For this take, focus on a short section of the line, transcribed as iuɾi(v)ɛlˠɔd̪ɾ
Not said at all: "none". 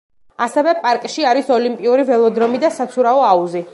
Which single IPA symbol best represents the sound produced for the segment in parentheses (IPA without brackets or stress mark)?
v